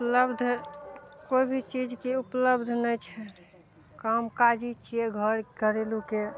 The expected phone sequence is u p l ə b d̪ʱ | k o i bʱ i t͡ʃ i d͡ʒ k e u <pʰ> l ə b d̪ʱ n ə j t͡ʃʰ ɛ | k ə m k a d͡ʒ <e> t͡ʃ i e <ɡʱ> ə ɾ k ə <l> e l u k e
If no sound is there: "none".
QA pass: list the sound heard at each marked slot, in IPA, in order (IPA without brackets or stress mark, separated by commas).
p, i, ɡʱ, ɾ